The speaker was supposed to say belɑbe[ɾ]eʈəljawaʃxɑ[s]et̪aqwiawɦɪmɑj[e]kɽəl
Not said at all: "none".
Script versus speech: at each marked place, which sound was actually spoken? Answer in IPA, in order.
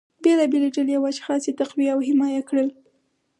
l, s, a

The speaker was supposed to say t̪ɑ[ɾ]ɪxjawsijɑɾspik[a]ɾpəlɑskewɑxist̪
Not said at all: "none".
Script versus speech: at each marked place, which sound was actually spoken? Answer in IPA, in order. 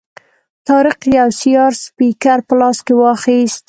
ɾ, a

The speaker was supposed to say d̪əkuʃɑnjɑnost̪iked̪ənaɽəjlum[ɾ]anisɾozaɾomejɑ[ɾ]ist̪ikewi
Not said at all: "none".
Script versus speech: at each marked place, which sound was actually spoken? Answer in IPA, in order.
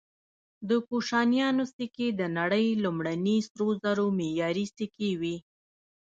ɽ, ɾ

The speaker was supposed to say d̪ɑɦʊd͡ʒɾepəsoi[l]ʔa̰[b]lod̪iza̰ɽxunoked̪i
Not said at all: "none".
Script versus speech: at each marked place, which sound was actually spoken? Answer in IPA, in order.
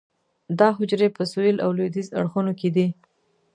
l, w

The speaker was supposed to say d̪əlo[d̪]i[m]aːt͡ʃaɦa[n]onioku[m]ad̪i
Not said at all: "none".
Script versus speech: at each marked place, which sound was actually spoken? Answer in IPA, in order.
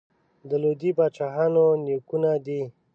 d̪, b, n, n

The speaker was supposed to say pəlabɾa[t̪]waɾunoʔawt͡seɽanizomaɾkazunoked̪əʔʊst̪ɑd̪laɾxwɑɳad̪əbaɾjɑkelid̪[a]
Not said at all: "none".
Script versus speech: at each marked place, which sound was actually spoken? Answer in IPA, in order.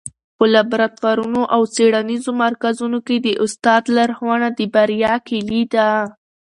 t̪, a

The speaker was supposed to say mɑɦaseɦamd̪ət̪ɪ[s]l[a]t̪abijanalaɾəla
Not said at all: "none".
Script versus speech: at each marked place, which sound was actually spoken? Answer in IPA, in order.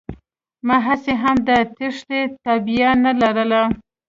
ʂ, e

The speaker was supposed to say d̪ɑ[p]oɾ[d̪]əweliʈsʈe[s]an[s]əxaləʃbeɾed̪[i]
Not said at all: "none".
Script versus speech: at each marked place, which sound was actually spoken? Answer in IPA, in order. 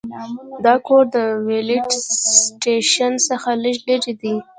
k, d̪, ʃ, s, i

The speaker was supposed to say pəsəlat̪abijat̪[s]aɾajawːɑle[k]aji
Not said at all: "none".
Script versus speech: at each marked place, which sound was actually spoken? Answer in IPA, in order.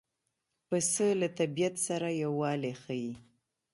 s, x

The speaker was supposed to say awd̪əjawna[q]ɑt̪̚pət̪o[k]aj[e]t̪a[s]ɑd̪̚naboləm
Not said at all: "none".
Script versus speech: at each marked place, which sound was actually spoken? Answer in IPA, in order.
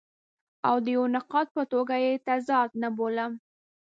q, ɡ, e, z

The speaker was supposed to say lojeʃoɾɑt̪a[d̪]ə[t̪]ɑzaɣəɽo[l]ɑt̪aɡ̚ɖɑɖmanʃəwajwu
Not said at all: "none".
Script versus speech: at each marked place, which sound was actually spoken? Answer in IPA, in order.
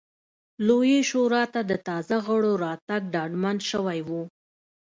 d̪, t̪, ɾ

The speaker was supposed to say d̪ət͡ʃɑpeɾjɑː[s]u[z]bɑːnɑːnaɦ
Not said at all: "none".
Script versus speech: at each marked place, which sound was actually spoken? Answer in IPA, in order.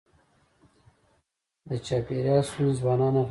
s, z

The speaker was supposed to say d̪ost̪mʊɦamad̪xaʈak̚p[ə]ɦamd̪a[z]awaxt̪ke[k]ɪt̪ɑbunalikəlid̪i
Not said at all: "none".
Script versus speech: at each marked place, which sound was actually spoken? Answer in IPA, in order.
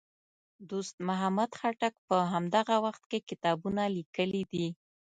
ə, ɣ, k

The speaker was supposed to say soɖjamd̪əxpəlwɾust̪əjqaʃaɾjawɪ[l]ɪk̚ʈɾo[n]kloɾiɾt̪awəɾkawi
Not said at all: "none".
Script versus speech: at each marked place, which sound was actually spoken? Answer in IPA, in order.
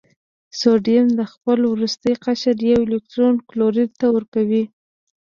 l, n

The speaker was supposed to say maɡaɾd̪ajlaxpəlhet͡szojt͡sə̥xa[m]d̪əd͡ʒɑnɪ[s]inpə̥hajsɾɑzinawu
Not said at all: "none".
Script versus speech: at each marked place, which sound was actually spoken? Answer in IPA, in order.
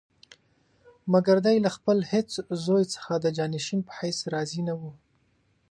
none, ʃ

